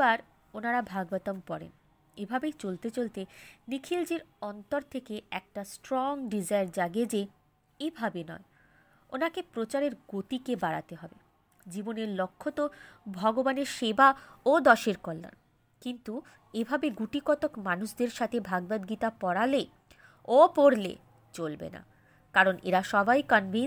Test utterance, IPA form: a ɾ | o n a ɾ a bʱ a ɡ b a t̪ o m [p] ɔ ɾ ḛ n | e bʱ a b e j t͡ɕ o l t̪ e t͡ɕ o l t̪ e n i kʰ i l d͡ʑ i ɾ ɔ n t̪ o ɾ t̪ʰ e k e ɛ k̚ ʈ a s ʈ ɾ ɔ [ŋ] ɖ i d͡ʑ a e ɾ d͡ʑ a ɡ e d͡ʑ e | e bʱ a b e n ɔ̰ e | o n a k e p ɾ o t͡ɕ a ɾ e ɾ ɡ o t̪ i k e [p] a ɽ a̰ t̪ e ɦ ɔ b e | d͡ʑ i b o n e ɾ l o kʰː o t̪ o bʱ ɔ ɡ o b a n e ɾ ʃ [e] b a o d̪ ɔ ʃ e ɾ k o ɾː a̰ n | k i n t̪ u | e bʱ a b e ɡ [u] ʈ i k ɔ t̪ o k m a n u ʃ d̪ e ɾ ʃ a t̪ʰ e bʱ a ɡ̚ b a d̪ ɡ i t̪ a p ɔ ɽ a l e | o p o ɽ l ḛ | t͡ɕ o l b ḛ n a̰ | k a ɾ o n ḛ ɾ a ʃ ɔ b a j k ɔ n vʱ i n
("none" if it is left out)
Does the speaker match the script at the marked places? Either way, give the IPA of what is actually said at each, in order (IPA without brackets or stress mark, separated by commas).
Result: p, ŋ, b, e, u